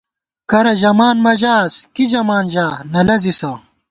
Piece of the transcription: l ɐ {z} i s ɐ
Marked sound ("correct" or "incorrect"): correct